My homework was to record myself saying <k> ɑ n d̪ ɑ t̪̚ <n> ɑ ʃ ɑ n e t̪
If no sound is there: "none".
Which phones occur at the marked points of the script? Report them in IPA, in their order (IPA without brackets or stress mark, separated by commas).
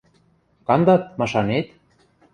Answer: k, m